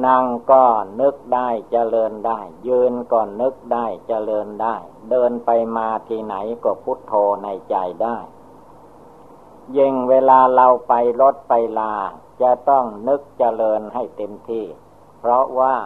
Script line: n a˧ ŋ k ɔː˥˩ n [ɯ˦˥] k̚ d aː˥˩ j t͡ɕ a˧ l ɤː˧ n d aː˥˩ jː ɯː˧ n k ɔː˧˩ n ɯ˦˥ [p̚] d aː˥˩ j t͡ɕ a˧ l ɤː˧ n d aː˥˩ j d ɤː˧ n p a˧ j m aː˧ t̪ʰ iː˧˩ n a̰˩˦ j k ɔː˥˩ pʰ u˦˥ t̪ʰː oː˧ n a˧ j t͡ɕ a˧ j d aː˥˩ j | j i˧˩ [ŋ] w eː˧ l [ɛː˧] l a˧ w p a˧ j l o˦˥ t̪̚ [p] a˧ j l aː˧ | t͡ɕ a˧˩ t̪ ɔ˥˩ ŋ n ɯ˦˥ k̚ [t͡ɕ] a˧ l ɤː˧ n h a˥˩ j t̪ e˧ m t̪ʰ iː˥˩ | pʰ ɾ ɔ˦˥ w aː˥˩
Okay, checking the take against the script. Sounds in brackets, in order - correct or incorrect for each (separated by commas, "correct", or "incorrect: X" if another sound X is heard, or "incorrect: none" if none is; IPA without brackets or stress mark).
correct, incorrect: k̚, correct, incorrect: aː˧, correct, correct